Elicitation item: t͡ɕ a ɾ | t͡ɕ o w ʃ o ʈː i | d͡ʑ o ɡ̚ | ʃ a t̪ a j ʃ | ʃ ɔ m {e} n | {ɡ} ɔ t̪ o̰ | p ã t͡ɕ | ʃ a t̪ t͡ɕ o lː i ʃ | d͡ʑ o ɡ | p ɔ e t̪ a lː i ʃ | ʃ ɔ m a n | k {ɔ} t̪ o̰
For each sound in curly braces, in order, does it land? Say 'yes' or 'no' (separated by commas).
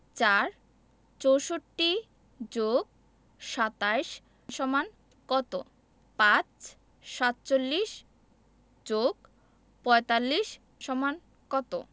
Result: no, no, yes